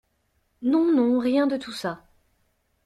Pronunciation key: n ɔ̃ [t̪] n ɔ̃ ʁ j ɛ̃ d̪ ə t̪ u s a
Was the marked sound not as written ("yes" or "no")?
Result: yes